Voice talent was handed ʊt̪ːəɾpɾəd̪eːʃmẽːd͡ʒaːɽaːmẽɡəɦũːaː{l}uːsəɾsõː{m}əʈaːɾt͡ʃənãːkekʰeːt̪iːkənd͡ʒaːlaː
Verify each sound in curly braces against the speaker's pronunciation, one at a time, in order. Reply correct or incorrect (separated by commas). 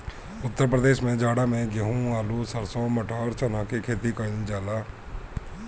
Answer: correct, correct